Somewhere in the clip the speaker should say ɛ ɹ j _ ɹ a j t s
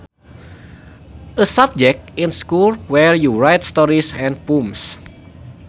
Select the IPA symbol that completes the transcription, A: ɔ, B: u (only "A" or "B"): B